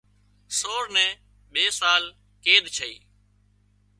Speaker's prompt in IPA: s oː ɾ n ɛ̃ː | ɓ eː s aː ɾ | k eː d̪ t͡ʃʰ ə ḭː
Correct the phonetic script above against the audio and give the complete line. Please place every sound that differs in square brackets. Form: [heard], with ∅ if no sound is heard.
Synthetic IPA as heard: s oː ɾ n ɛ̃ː | ɓ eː s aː [l] | k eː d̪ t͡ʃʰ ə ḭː